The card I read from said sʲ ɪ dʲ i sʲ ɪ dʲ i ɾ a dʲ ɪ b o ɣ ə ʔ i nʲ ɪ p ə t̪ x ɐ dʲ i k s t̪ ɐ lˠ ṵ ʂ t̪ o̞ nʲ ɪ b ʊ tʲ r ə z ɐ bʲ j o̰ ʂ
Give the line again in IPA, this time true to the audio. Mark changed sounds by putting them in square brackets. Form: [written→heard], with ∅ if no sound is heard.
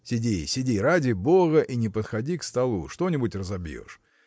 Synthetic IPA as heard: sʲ ɪ dʲ i sʲ ɪ dʲ i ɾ a dʲ ɪ b o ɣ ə ʔ i nʲ ɪ p ə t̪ x ɐ dʲ i k s t̪ ɐ lˠ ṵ ʂ t̪ o̞ nʲ ɪ b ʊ tʲ r ə z ɐ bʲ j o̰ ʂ